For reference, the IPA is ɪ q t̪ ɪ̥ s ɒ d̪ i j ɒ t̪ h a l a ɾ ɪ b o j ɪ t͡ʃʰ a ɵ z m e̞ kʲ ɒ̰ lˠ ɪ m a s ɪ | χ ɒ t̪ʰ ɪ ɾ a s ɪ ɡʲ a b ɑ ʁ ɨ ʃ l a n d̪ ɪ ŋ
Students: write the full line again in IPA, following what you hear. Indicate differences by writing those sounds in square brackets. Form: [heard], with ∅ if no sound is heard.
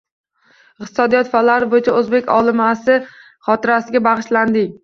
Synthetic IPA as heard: ɪ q t̪ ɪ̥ s ɒ d̪ i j ɒ t̪ [f] a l a ɾ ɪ b o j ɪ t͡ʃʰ a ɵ z [b] e̞ kʲ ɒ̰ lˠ ɪ m a s ɪ | χ ɒ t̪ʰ ɪ ɾ a s ɪ ɡʲ a b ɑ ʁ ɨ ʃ l a n d̪ ɪ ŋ